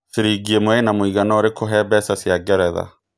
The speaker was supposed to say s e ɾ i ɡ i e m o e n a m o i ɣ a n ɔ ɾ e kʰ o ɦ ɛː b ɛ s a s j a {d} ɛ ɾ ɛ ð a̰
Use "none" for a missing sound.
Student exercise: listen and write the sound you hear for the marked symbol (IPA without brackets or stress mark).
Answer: ɡ